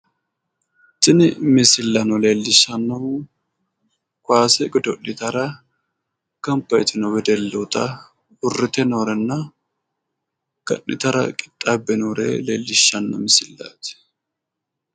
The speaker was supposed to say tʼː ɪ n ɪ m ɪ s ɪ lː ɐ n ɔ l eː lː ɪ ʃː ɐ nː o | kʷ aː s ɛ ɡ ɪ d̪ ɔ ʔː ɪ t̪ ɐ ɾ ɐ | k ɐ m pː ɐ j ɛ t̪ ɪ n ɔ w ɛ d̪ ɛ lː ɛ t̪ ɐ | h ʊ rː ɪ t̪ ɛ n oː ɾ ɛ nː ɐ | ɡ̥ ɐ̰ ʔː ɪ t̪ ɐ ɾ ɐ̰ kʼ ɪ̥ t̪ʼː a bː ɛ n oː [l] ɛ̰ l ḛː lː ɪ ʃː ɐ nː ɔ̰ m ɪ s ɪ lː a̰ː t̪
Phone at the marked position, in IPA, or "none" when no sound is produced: ɾ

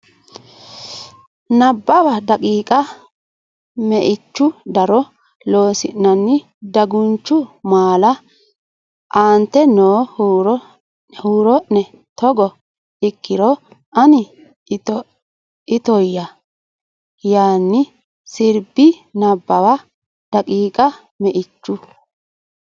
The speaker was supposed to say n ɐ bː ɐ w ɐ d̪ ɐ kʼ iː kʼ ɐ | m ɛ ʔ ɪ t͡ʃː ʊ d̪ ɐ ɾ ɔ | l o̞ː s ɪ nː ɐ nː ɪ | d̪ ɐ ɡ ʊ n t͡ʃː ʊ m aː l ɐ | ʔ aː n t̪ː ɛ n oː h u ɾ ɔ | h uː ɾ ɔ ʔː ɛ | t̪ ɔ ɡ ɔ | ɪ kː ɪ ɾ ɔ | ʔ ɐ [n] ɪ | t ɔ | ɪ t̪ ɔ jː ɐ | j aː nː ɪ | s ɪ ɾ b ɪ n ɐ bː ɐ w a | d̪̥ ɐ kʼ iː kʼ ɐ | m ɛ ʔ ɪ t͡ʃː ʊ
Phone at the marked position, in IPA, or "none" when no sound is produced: n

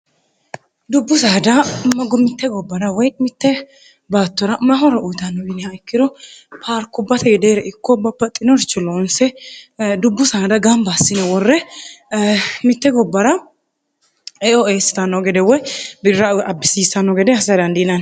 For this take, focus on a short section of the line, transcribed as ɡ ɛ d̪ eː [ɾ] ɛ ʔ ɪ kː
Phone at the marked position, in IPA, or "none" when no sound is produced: ɾ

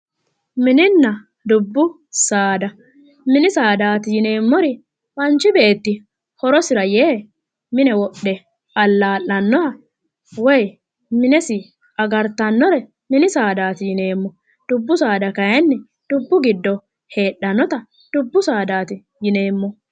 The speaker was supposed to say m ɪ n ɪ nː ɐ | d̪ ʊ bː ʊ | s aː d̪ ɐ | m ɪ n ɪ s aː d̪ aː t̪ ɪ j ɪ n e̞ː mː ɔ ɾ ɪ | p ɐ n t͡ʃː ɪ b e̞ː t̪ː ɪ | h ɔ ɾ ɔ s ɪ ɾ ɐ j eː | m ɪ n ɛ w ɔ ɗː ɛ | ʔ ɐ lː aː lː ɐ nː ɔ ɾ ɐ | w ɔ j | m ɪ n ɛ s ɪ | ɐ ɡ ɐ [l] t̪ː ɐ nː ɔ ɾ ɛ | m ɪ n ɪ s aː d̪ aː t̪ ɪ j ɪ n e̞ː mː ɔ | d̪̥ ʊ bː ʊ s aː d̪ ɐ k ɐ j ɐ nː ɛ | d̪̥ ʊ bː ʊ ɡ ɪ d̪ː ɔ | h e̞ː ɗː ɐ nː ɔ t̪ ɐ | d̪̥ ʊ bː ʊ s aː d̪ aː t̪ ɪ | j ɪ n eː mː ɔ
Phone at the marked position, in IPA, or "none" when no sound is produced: ɾ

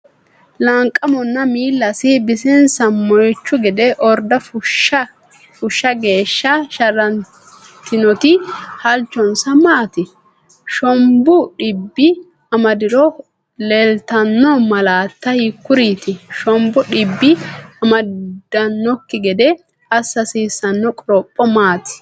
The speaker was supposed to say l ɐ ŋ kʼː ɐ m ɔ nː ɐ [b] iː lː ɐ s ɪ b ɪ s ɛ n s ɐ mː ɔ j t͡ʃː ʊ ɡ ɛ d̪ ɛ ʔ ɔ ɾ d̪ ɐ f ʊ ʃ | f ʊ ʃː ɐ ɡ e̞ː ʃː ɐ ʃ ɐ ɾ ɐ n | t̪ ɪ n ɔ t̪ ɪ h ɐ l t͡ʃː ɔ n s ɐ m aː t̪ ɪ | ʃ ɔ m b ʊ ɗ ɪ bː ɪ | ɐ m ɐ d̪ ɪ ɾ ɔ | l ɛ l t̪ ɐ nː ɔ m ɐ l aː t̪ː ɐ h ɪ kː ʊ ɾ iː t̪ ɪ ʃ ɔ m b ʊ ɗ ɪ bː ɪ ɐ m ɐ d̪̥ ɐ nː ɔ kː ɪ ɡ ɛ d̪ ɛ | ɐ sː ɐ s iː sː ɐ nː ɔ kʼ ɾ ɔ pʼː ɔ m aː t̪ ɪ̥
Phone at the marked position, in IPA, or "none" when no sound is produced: m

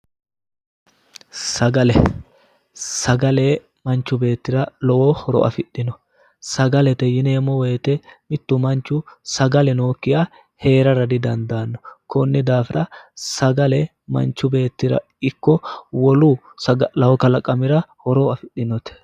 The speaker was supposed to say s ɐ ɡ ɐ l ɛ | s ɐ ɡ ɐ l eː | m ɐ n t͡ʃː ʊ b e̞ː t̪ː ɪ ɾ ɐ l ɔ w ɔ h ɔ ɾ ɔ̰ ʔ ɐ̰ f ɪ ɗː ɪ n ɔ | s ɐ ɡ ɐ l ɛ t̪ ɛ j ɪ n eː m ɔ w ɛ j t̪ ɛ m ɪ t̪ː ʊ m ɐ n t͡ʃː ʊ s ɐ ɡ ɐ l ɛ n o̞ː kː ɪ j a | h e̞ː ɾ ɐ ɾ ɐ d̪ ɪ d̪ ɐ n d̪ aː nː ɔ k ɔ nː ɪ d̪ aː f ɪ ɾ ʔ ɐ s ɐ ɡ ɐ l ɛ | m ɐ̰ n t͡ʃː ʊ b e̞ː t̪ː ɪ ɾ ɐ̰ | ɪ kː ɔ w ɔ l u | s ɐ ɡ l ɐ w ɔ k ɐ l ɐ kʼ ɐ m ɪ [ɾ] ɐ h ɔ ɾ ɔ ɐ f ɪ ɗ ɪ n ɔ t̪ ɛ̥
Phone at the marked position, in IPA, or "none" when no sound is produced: ɾ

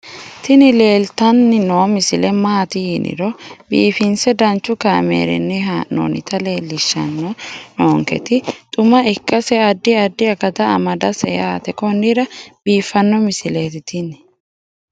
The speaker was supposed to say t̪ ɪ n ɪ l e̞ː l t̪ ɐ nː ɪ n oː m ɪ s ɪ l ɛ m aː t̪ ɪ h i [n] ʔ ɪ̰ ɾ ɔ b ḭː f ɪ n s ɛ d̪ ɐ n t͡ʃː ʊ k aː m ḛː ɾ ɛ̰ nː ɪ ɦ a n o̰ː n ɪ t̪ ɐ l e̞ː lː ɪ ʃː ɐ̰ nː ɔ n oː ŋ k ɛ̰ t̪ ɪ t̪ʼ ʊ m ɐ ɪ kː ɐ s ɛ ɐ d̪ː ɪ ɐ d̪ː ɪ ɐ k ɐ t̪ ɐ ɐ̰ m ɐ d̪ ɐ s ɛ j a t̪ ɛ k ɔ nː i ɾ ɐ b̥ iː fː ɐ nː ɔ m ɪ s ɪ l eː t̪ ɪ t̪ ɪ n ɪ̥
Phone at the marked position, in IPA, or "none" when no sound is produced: n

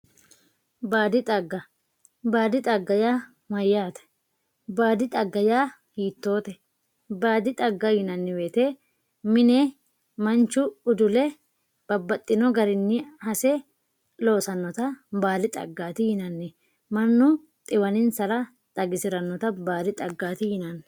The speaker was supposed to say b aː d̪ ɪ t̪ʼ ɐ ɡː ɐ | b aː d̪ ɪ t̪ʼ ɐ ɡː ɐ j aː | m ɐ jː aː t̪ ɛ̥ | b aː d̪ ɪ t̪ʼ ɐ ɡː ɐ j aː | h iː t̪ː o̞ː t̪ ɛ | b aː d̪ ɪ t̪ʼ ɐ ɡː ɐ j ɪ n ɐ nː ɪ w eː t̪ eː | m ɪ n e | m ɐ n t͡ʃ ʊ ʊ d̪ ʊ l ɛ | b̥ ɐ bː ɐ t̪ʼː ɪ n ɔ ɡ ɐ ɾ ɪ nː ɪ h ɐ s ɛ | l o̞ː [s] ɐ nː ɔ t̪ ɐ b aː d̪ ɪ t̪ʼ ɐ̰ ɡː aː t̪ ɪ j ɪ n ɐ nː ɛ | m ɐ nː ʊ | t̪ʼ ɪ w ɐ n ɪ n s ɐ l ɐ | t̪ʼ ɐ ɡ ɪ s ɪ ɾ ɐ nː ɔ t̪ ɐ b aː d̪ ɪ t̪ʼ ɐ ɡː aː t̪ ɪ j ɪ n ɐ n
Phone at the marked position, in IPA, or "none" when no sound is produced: s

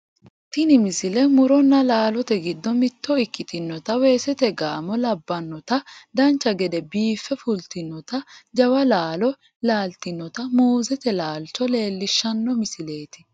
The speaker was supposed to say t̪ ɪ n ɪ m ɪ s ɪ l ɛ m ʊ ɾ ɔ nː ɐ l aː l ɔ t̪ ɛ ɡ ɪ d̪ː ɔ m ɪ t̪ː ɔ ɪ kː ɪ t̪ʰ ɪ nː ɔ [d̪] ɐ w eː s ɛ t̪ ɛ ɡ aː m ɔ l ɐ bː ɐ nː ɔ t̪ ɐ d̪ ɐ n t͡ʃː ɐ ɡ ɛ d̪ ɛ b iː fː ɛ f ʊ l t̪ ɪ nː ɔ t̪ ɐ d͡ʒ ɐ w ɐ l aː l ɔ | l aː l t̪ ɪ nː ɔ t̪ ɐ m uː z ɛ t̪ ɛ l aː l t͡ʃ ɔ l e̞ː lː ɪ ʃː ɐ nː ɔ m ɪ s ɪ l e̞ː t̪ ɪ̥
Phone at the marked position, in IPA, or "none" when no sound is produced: t̪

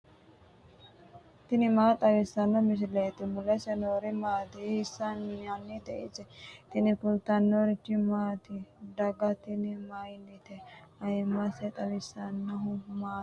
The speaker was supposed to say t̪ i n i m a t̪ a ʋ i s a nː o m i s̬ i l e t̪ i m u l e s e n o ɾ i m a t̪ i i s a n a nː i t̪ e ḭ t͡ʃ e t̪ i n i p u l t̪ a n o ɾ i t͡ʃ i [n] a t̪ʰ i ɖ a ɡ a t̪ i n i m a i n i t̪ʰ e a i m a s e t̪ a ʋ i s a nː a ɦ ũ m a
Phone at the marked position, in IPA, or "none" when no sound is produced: m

